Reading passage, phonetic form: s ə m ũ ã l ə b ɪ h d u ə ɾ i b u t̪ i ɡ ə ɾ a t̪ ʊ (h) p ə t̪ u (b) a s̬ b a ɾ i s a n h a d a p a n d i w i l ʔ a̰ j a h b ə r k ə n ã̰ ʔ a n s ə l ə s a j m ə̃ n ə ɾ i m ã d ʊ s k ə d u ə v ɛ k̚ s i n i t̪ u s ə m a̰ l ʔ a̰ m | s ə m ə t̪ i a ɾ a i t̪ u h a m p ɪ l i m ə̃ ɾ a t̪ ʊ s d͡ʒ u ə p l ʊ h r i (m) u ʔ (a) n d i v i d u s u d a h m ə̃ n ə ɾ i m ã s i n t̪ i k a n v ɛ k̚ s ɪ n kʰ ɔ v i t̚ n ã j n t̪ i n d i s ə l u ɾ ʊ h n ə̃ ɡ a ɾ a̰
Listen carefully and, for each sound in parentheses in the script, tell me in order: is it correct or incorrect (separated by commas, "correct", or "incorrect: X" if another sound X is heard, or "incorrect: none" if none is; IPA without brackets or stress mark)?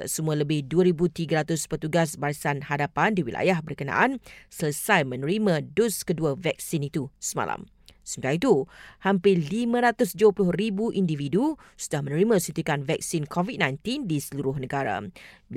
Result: incorrect: s, incorrect: ɡ, incorrect: b, incorrect: i